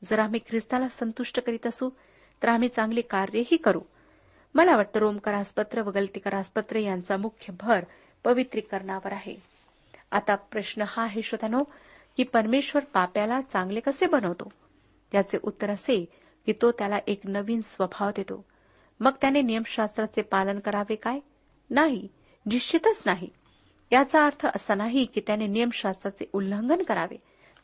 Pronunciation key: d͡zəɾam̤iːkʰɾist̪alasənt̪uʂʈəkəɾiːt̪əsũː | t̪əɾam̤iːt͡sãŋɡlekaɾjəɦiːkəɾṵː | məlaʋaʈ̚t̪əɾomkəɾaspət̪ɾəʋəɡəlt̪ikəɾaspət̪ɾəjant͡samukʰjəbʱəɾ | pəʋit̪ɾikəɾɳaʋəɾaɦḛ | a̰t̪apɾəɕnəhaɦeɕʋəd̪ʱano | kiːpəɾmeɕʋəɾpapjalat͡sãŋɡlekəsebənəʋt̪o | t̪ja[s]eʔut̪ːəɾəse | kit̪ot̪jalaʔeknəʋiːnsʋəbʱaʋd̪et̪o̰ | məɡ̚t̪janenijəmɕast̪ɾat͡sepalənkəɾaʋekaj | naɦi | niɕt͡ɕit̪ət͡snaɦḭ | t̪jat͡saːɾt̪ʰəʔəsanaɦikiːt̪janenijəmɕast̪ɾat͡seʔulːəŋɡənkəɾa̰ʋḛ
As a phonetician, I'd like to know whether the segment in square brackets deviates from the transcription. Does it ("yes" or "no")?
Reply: yes